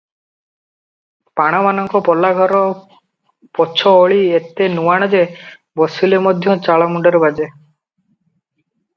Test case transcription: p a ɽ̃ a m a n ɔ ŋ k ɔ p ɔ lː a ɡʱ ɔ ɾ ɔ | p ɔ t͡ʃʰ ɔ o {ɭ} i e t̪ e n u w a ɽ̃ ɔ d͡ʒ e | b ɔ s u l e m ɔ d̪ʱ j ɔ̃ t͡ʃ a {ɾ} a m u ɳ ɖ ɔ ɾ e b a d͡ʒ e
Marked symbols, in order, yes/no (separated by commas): yes, no